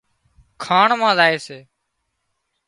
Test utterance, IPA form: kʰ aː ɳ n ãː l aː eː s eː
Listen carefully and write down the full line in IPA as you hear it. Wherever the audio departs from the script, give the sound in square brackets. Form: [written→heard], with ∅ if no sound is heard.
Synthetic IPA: kʰ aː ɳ [n→m] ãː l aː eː s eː